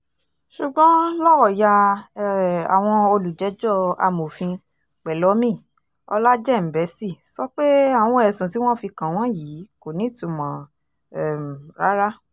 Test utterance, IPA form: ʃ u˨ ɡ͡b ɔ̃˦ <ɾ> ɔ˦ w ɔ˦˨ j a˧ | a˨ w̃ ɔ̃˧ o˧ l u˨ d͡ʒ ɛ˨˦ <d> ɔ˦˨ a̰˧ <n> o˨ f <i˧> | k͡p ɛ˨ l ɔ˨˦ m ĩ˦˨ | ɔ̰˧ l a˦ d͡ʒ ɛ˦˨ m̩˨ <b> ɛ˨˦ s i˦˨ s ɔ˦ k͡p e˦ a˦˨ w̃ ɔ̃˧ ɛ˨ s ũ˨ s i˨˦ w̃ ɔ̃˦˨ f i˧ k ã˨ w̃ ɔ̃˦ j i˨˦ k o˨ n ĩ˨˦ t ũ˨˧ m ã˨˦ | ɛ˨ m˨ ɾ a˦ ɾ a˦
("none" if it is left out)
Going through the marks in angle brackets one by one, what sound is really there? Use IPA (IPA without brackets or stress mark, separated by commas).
l, d͡ʒ, m, ĩ˧, b